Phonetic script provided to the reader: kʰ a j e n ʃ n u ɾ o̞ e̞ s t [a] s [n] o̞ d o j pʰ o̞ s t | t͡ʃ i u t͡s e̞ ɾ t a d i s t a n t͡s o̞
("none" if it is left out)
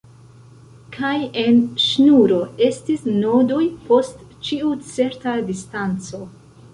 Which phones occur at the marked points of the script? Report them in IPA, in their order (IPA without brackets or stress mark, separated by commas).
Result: i, n